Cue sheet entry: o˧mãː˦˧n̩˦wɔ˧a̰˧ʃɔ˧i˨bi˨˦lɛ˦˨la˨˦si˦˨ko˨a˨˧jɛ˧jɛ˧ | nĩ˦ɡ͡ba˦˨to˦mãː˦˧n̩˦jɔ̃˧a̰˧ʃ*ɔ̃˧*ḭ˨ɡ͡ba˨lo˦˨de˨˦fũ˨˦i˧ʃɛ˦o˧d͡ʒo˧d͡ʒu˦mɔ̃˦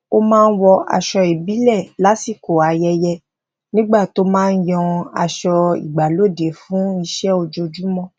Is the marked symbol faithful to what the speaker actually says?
no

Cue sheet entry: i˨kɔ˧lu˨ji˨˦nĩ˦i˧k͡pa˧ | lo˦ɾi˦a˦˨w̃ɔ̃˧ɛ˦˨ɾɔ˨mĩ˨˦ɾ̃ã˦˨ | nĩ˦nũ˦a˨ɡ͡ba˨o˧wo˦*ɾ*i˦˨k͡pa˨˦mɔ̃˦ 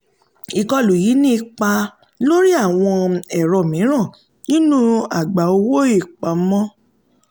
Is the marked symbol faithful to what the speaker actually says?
no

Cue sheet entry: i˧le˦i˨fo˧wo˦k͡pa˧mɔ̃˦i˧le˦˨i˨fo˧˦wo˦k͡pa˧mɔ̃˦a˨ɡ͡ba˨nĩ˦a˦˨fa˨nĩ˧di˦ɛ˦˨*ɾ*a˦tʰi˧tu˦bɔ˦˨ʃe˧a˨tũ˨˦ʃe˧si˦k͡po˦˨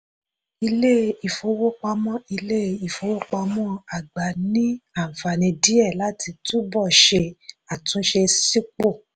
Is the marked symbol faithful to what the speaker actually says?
no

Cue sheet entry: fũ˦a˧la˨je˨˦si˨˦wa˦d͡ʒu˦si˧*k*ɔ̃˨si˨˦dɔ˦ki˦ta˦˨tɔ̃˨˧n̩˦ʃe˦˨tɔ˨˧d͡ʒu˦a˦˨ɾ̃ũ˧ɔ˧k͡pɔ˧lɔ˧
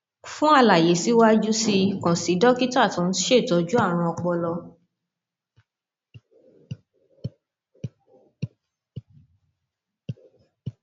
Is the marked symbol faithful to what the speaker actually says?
yes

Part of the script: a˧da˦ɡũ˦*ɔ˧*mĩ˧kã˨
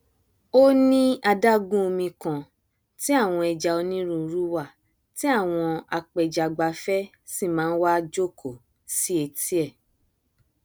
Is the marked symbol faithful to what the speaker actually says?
no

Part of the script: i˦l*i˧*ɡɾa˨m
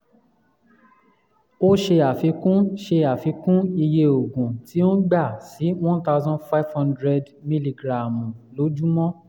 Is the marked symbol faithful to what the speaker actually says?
yes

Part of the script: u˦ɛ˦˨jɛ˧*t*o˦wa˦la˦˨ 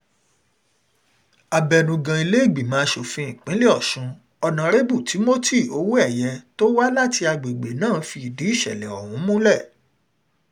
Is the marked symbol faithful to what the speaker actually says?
yes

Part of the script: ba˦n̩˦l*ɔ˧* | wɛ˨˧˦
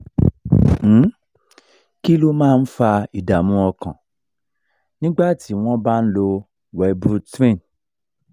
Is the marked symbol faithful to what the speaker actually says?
no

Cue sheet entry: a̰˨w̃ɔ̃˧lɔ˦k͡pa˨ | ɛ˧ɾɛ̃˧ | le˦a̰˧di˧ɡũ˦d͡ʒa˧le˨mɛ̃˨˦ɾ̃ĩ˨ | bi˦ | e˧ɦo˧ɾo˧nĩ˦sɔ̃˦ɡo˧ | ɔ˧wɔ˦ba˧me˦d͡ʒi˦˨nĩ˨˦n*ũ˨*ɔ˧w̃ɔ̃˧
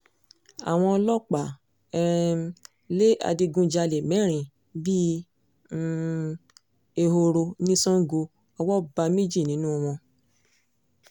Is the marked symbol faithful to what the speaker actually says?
no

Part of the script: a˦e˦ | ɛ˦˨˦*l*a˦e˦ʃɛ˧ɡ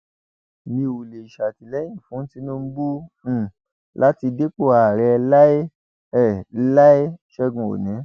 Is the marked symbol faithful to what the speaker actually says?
yes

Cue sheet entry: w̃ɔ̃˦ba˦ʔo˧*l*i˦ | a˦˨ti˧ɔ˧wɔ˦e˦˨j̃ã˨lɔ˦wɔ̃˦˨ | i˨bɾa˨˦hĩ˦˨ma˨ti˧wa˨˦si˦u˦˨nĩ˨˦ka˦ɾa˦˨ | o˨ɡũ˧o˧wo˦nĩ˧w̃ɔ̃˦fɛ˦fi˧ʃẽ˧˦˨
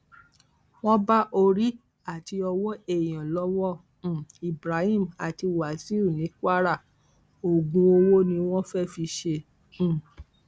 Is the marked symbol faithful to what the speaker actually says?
no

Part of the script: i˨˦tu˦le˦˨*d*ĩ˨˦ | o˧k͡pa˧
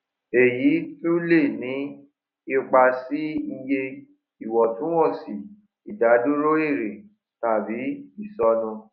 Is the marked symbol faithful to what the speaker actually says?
no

